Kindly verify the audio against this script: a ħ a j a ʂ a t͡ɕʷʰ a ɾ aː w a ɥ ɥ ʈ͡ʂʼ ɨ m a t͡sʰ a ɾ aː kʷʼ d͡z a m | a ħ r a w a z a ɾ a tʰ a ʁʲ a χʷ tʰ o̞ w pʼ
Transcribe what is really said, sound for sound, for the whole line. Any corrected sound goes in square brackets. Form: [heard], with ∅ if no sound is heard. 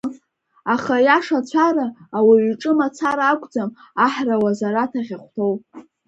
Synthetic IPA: a [χ] a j a ʂ a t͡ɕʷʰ a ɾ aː w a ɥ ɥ ʈ͡ʂʼ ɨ m a t͡sʰ a ɾ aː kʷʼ d͡z a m | a ħ r a w a z a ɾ a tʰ a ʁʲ a χʷ tʰ o̞ w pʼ